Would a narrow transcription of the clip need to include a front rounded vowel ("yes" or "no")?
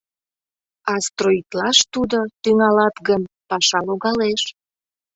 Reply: yes